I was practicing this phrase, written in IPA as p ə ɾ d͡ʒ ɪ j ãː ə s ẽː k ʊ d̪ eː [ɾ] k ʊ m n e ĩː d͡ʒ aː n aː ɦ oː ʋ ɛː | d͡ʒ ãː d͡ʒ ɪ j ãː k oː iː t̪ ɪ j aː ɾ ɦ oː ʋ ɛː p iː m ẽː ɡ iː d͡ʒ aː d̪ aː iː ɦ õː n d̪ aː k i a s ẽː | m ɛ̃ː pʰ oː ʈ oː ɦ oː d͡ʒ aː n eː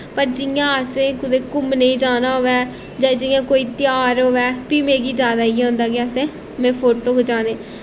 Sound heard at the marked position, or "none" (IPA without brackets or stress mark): none